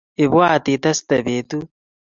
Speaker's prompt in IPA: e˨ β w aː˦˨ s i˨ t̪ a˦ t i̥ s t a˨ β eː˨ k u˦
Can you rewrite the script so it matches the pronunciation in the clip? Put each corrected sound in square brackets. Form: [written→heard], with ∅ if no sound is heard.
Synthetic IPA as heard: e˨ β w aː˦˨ [s→t] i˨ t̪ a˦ [t→s] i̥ [s→∅] t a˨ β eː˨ [k→t] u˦